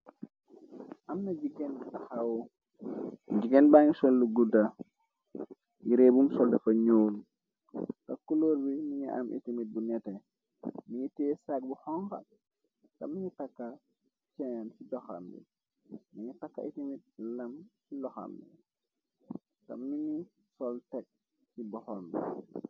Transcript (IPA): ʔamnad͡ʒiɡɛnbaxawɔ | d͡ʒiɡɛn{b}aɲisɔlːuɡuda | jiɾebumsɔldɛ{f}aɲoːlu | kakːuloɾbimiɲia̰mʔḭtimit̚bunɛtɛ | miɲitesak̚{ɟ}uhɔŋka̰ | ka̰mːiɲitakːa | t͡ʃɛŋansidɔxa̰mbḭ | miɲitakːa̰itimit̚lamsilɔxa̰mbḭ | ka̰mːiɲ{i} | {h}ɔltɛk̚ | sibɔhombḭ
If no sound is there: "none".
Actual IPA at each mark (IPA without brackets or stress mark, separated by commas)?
b, f, b, i, s